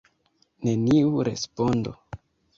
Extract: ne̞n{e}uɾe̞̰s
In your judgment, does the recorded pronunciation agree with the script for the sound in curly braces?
no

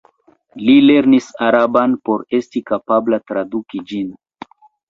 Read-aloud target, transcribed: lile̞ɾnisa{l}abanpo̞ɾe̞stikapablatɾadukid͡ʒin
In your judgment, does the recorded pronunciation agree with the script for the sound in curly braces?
no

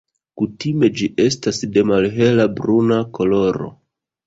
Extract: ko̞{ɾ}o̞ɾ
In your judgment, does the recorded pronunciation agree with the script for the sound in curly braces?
no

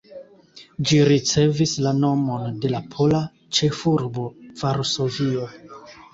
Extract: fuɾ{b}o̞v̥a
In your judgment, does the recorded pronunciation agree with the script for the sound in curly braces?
yes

